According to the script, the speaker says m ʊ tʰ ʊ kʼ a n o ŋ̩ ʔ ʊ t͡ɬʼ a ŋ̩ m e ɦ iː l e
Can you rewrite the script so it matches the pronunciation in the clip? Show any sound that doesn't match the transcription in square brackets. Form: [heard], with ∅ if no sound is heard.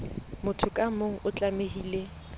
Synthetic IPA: m ʊ tʰ ʊ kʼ a [m] o ŋ̩ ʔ ʊ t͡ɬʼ a [∅] m e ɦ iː l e